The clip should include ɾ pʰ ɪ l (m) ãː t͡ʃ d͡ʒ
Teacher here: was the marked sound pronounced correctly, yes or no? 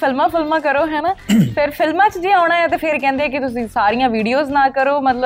yes